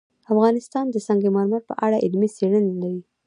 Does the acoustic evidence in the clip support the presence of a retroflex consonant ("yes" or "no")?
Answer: yes